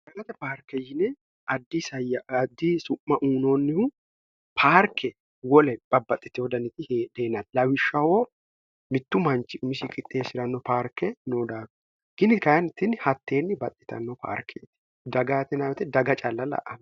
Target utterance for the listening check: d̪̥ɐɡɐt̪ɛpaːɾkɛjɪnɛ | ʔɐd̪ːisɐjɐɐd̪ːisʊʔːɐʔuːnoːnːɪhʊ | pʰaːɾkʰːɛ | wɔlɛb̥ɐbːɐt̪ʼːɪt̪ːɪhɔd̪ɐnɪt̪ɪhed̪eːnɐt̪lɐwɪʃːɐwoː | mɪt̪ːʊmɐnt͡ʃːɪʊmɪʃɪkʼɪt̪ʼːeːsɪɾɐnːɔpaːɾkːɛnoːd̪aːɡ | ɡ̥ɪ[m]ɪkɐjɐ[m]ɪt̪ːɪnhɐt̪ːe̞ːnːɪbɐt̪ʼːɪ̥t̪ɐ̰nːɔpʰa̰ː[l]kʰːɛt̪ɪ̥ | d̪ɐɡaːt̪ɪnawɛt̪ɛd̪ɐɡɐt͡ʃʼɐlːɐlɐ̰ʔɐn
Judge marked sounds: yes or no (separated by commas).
no, no, no